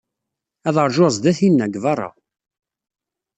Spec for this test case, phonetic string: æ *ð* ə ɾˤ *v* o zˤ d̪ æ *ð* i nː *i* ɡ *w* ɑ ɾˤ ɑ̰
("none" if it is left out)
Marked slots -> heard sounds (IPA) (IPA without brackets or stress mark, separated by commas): ð, ʒ, θ, æ, v